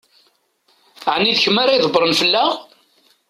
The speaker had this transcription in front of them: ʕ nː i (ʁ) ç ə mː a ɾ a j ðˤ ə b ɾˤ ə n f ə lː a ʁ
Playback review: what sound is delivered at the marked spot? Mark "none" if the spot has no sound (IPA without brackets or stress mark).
ð